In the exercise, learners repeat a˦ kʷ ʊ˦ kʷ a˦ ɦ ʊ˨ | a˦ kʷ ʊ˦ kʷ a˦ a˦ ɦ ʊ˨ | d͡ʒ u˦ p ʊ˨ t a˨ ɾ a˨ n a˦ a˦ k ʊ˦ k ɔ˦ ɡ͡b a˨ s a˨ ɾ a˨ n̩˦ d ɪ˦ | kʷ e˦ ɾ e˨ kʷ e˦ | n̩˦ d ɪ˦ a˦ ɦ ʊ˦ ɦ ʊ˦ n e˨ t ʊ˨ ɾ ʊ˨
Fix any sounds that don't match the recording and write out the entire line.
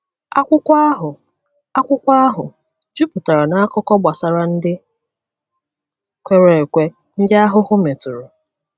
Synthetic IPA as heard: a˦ kʷ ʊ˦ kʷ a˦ ɦ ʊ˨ | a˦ kʷ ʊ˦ kʷ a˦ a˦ ɦ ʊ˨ | d͡ʒ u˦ p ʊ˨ t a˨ ɾ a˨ n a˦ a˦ k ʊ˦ k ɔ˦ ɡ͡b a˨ s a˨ ɾ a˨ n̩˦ d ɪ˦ | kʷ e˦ ɾ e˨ kʷ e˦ | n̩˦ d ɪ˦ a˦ ɦ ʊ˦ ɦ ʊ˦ m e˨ t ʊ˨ ɾ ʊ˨